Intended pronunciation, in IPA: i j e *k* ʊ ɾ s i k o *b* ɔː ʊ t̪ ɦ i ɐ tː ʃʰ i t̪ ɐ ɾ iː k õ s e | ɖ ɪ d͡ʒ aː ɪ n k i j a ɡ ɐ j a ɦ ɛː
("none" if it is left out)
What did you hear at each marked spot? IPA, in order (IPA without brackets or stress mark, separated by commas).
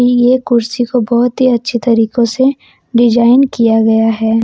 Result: k, b